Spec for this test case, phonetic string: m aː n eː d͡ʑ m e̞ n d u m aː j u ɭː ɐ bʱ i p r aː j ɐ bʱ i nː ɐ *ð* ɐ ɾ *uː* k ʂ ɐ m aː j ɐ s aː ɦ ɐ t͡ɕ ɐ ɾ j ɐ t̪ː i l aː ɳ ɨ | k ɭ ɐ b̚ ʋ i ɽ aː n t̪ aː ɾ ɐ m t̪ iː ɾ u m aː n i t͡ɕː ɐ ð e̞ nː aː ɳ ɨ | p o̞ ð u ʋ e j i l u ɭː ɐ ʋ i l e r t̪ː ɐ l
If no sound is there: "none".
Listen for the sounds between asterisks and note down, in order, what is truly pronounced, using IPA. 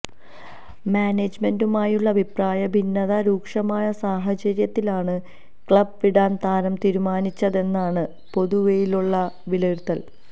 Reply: ð, uː

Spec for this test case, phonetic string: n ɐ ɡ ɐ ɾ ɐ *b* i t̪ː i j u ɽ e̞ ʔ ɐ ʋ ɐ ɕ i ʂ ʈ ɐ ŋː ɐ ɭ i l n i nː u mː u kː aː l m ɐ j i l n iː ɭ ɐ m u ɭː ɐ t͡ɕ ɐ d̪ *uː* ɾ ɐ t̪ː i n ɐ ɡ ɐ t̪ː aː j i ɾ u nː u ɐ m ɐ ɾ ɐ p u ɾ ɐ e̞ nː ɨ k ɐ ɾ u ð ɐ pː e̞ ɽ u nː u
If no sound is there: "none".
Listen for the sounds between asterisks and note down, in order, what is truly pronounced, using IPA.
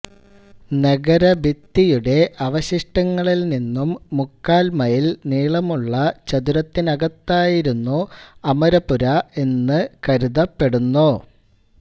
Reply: b, u

